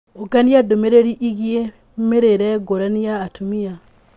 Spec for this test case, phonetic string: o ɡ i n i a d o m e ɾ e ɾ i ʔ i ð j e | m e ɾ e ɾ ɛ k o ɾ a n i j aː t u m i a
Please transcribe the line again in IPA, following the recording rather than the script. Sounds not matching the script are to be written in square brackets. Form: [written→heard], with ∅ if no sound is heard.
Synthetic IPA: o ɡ [i→a] n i a d o m e ɾ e ɾ i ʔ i [ð→ɣ] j e | m e ɾ e ɾ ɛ [k→ɡ] o ɾ a n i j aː t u m i a